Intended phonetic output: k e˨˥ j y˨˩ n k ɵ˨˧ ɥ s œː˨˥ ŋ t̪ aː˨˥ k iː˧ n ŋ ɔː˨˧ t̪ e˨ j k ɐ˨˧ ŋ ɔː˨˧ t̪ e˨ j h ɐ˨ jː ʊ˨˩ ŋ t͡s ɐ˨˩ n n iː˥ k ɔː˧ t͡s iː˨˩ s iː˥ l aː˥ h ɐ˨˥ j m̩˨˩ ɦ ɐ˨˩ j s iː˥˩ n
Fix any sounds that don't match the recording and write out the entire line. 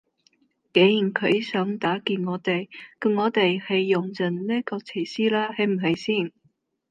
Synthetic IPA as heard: k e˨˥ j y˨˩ n kʰ ɵ˨˧ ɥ s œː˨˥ ŋ t̪ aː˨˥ k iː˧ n ŋ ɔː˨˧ t̪ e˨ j k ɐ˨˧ ŋ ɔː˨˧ t̪ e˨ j h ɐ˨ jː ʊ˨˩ ŋ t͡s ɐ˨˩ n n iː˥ k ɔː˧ t͡sʰ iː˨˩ s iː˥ l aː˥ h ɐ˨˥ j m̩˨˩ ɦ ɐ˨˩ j s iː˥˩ n